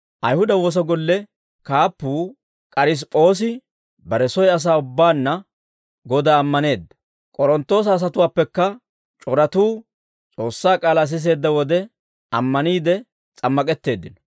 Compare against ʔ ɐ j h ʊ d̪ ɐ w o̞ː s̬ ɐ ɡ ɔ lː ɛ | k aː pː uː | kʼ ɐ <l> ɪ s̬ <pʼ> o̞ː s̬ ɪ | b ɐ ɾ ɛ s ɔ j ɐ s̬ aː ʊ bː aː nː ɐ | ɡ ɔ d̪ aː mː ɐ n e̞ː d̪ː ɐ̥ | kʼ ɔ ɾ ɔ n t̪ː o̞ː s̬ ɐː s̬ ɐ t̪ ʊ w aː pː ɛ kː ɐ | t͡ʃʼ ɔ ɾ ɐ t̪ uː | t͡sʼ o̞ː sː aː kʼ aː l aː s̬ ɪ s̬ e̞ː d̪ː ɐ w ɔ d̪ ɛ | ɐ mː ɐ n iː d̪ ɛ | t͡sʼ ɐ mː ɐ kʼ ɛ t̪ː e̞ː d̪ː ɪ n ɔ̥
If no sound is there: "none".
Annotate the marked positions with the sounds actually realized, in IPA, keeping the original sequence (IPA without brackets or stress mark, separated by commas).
ɾ, pʼ